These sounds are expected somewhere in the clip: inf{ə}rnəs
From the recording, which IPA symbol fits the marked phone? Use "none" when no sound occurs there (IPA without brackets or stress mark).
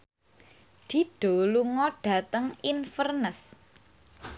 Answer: ə